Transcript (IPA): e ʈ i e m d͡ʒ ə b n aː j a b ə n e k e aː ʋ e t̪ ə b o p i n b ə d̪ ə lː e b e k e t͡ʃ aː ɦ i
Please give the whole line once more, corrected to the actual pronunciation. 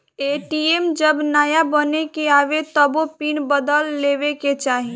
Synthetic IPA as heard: e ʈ i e m d͡ʒ ə b n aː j a b ə n e k e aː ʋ e t̪ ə b o p i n b ə d̪ ə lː e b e k e t͡ʃ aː ɦ i